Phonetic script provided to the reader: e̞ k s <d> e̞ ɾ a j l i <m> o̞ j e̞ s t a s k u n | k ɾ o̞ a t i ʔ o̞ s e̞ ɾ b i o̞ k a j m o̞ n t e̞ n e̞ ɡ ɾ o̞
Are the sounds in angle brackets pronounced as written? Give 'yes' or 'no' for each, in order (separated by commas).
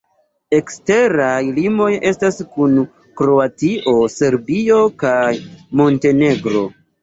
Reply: no, yes